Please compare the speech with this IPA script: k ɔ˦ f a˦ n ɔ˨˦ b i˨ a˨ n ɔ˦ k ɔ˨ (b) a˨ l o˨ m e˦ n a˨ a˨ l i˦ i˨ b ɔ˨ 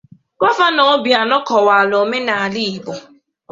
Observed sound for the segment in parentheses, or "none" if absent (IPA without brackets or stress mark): w